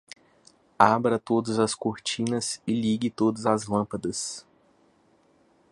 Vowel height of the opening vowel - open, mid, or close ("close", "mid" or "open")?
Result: open